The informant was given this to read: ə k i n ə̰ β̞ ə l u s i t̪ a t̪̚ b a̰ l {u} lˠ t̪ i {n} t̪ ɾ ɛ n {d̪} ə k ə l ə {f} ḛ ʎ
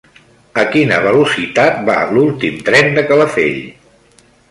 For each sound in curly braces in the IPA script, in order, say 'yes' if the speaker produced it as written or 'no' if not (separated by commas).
yes, no, yes, yes